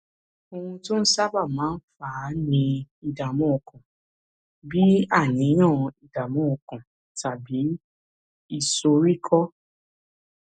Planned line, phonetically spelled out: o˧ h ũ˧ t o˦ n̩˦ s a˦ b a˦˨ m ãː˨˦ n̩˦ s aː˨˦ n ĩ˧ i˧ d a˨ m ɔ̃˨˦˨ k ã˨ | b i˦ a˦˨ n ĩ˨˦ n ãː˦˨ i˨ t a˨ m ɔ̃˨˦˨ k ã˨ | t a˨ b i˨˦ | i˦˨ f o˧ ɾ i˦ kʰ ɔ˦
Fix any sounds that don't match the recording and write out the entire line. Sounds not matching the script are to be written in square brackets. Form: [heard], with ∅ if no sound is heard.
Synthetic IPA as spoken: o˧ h ũ˧ t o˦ n̩˦ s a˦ b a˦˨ m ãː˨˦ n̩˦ [f] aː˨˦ n ĩ˧ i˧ d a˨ m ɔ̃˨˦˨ k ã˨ | b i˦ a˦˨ n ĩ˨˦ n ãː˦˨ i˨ [d] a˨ m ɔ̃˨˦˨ k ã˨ | t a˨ b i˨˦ | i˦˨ [s] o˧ ɾ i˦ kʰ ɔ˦